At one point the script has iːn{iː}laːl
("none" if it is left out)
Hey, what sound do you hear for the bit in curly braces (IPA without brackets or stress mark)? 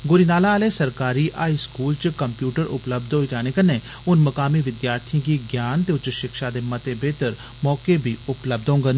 aː